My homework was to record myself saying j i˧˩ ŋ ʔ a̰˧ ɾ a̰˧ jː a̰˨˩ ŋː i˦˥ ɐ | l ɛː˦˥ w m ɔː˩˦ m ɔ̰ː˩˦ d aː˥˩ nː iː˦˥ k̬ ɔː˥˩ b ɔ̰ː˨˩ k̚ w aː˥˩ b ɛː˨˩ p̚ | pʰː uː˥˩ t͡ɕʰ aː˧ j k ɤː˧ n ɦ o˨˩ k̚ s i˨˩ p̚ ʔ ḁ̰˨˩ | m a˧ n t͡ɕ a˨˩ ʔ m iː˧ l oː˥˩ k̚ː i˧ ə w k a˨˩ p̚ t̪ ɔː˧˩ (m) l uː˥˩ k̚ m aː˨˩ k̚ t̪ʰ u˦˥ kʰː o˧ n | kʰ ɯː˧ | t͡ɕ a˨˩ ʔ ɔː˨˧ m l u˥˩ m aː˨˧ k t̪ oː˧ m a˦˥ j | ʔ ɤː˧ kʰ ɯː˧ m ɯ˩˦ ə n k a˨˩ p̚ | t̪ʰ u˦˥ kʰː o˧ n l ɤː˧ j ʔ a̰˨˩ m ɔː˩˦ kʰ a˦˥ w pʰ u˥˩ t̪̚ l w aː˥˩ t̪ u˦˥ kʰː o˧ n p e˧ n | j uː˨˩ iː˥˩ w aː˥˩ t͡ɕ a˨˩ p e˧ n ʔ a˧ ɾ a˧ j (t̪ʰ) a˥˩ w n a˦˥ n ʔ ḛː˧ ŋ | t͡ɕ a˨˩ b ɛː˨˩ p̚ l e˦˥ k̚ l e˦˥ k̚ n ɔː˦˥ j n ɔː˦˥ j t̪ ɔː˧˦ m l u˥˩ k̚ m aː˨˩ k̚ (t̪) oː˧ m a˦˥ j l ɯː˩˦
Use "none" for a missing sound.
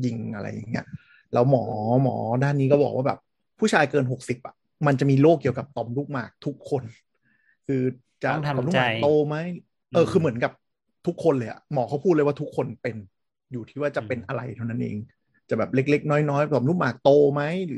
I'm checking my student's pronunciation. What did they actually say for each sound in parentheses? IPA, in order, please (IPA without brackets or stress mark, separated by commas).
m, t̪ʰ, t̪